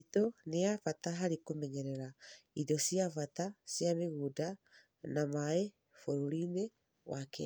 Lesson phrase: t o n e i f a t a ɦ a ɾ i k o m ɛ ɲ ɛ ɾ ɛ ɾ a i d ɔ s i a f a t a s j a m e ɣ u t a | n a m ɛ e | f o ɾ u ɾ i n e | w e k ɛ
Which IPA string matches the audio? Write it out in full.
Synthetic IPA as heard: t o n e a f a t a ɦ a ɾ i k o m ɛ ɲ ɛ ɾ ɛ ɾ a i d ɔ s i a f a t a s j a m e ɣ u d a | n a m a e | f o ɾ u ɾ i n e | w a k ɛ